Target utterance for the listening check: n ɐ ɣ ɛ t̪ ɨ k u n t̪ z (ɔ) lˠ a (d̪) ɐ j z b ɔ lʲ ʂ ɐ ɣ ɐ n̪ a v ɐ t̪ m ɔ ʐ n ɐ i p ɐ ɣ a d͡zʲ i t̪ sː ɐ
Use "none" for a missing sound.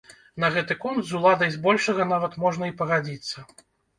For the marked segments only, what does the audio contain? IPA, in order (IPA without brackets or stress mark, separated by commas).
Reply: u, d̪